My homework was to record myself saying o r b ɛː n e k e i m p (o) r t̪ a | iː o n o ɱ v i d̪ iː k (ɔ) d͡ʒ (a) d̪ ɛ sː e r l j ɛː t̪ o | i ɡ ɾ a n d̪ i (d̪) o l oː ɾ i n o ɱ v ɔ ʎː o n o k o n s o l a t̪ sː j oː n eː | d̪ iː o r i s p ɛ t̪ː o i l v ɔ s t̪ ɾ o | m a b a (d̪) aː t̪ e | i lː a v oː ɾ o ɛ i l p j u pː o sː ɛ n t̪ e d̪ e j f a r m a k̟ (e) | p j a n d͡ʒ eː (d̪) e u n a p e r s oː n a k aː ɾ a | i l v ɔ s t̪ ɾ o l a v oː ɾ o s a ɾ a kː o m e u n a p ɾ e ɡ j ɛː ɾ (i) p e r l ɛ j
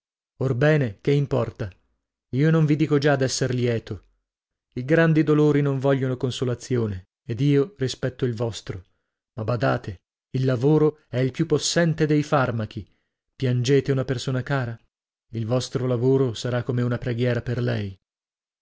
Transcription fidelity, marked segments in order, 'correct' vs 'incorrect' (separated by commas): incorrect, incorrect, correct, correct, correct, incorrect, incorrect, incorrect